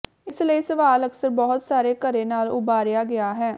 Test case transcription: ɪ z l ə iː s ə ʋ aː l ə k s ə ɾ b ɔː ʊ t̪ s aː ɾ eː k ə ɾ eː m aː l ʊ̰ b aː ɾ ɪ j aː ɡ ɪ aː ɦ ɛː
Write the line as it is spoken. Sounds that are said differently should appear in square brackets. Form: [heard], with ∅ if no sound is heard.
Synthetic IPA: ɪ [s] l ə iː s ə ʋ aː l ə k s ə ɾ b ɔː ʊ t̪ s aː ɾ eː k ə ɾ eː [n] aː l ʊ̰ b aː ɾ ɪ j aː ɡ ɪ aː ɦ ɛː